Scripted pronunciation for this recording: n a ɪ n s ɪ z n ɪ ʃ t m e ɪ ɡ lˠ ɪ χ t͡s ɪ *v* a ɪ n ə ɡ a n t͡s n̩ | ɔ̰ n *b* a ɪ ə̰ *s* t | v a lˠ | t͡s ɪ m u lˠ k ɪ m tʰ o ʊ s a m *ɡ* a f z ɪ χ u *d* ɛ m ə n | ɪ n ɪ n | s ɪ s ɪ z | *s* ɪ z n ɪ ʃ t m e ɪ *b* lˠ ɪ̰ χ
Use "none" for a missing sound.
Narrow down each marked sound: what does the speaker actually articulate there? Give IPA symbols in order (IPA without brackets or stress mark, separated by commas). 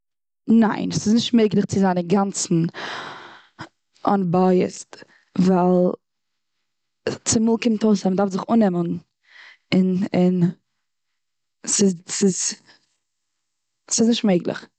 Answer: z, b, s, d, n, s, ɡ